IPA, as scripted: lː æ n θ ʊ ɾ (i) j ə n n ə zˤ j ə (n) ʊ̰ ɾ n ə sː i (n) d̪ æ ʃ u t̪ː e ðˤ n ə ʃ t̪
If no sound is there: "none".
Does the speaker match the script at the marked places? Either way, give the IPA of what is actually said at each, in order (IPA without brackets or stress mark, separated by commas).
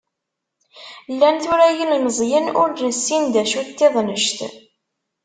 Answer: æ, n, n